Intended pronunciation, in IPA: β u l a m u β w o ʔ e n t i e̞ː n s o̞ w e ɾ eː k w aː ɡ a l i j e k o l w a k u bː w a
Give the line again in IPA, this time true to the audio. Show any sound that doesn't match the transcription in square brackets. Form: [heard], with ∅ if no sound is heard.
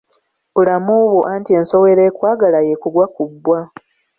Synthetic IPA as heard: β u l a m u β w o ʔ [a] n t i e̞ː n s o̞ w e ɾ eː k w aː ɡ a l [a] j e k [u] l w a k u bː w a